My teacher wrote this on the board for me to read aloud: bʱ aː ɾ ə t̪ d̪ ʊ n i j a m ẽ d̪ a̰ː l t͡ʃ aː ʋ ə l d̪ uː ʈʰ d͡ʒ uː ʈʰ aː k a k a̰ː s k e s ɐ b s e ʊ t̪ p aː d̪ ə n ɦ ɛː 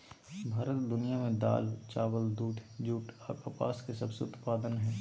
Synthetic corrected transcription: bʱ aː ɾ ə t̪ d̪ ʊ n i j a m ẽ d̪ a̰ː l t͡ʃ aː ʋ ə l d̪ uː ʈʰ d͡ʒ uː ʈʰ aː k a p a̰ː s k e s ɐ b s e ʊ t̪ p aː d̪ ə n ɦ ɛː